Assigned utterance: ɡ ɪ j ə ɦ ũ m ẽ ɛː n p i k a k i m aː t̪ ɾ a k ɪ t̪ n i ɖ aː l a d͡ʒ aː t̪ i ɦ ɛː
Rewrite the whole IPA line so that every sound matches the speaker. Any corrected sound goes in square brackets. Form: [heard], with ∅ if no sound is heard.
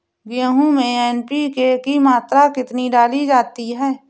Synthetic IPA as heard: ɡ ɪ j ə ɦ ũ m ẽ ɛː n p i k [e] k i m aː t̪ ɾ a k ɪ t̪ n i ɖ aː l [i] d͡ʒ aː t̪ i ɦ ɛː